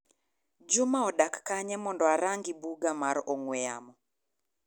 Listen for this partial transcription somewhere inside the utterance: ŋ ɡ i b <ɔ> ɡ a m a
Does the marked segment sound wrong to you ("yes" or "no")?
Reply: yes